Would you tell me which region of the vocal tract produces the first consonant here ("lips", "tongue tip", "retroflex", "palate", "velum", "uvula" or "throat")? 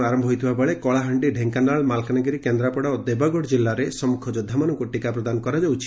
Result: tongue tip